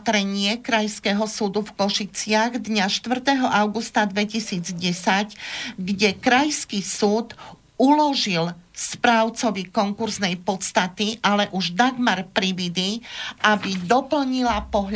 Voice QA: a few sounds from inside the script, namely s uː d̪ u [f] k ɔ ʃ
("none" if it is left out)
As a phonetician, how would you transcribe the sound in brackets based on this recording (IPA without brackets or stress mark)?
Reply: f